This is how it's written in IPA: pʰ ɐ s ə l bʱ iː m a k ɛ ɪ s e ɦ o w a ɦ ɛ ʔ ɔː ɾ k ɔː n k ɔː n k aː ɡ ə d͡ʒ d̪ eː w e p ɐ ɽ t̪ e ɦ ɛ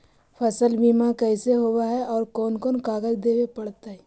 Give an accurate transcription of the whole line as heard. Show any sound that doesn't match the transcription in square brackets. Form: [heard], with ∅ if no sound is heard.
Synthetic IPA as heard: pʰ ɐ s ə l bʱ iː m a k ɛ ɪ s e ɦ o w a ɦ ɛ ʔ ɔː ɾ k ɔː n k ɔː n k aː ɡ ə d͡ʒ d̪ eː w e p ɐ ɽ t̪ [a] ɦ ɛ